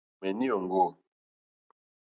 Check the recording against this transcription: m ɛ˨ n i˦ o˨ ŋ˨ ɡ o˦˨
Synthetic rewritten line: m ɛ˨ n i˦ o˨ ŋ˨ ɡ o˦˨